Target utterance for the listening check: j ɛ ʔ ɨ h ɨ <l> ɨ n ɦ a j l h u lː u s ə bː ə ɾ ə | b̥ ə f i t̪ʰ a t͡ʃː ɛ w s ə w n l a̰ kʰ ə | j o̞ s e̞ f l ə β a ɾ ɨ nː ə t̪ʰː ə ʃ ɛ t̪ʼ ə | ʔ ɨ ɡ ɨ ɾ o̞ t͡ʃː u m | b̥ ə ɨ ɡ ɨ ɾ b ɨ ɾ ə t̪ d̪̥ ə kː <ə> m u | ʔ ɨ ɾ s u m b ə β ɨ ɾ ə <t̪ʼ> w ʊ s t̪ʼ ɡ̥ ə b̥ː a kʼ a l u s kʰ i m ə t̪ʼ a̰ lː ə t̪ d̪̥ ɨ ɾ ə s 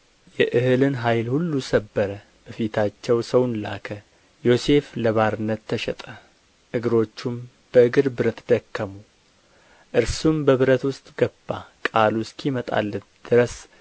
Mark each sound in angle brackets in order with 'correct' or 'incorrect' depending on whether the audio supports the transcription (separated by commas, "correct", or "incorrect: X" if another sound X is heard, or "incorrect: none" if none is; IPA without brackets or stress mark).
correct, correct, incorrect: t̪